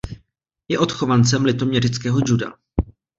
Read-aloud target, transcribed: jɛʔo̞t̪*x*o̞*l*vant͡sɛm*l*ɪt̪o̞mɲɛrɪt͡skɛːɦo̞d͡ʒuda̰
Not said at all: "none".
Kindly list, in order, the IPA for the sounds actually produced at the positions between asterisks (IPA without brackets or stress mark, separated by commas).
x, none, l